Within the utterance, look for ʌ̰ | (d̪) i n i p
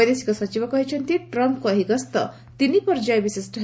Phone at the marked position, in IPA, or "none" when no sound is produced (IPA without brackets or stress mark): t̪